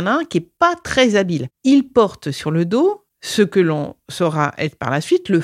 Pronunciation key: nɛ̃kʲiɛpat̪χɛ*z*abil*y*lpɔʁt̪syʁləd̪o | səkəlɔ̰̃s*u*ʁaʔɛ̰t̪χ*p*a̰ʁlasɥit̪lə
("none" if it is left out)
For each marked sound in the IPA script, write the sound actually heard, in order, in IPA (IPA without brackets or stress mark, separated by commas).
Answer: z, i, ɔ, p